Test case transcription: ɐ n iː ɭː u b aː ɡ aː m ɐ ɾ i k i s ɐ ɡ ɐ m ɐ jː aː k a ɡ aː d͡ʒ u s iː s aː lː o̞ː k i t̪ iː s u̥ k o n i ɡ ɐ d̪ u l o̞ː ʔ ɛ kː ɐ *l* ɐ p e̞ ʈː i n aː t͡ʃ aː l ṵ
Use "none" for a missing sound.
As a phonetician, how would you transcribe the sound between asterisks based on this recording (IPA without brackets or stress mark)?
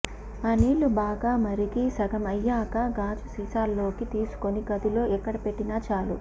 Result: ɽ